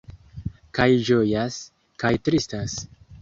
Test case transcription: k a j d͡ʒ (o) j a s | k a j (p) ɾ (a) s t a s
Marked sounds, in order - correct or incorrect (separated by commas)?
correct, incorrect, incorrect